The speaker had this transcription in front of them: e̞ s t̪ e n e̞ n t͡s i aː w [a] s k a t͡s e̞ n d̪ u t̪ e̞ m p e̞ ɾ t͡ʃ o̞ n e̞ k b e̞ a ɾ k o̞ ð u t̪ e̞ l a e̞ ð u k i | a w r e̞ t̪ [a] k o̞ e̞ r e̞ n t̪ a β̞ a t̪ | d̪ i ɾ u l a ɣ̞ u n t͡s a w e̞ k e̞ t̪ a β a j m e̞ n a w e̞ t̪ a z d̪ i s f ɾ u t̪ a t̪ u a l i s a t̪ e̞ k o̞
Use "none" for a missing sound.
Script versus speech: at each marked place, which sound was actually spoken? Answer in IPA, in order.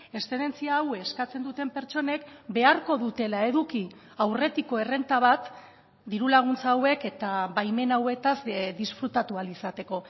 e, i

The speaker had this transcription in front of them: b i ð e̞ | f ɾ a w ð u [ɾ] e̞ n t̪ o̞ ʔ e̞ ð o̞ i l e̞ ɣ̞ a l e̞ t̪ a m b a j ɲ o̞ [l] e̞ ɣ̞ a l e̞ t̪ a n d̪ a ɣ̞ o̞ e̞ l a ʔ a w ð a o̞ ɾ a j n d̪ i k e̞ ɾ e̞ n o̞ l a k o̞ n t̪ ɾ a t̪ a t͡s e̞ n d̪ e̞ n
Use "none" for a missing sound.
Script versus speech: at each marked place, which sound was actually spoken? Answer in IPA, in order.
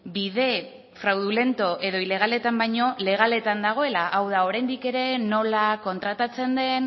l, l

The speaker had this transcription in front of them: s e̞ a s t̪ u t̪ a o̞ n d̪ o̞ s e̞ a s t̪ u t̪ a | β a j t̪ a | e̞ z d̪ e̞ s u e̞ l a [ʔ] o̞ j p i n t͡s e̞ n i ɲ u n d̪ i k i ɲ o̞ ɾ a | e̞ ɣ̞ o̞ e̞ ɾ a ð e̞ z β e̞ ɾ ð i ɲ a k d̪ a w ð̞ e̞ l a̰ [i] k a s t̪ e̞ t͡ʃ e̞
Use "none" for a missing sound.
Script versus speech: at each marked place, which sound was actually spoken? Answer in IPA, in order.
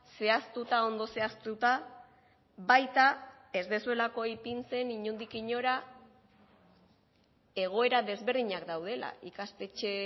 k, i

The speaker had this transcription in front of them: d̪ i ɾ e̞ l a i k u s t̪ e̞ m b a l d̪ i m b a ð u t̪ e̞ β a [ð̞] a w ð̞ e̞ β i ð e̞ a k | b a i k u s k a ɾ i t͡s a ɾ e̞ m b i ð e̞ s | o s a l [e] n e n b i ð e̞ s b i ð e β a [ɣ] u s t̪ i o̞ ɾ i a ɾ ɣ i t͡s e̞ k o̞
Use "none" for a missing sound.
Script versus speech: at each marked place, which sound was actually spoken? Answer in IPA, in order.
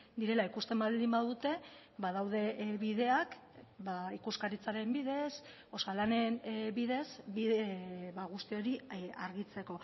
ð̞, a, ɣ

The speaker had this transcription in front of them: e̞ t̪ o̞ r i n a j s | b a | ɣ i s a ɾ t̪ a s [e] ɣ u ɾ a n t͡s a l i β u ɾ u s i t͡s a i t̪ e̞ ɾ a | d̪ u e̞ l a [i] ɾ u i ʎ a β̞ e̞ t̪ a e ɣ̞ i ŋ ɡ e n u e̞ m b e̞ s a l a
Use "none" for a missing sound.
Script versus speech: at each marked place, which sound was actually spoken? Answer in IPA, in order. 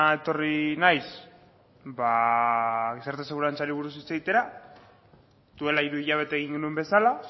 e, i

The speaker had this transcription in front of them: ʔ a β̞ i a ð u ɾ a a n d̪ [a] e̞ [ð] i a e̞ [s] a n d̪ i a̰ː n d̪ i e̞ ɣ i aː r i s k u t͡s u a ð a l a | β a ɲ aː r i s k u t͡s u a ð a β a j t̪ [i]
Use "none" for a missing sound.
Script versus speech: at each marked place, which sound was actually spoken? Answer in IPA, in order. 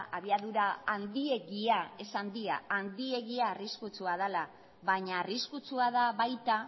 i, ɣ, s, a

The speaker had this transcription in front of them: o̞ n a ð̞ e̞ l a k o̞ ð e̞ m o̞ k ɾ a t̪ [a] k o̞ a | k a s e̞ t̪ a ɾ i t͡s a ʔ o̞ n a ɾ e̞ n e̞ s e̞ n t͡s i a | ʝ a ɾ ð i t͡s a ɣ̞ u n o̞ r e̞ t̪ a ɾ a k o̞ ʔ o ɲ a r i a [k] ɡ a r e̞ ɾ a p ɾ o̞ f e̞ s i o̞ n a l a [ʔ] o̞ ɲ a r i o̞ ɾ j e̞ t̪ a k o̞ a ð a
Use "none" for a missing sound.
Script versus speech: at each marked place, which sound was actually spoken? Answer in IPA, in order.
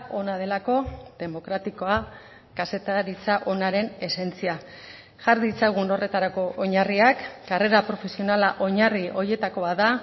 i, k, ʔ

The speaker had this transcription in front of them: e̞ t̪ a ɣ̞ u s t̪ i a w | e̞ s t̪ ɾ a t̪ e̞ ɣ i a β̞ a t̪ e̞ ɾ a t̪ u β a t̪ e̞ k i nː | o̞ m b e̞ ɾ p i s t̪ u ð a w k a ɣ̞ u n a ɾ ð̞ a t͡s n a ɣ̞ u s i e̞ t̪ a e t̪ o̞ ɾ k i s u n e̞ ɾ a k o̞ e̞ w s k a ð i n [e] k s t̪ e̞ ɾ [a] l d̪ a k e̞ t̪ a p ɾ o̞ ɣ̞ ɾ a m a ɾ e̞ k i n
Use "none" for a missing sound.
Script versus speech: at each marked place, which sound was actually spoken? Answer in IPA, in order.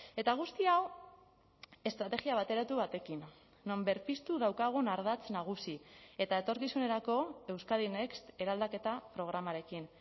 e, a

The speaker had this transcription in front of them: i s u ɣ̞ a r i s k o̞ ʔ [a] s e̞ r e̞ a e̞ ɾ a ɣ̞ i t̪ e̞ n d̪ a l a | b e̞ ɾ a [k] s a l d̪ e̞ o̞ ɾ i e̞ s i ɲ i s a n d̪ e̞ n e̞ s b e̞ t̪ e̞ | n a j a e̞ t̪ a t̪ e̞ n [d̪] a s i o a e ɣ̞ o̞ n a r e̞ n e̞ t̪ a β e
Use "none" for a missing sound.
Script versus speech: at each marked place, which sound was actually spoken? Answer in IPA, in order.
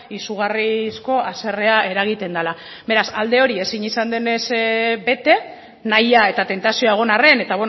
a, none, t̪

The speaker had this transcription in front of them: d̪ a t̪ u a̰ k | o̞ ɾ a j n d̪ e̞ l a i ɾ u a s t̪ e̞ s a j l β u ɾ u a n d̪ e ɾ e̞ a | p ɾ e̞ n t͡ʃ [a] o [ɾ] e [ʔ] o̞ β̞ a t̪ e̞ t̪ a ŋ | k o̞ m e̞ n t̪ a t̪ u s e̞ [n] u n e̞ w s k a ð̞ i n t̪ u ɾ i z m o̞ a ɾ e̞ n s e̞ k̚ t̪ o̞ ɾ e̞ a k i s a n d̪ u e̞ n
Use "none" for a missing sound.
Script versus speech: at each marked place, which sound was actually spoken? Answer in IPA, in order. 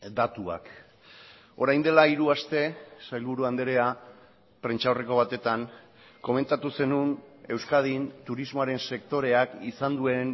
a, r, k, n

